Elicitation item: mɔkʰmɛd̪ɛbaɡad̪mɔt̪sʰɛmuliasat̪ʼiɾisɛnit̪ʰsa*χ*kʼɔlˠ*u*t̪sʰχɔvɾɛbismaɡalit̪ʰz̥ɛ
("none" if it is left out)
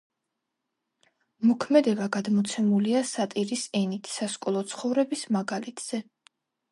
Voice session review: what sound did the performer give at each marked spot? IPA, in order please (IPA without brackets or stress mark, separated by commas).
s, ɔ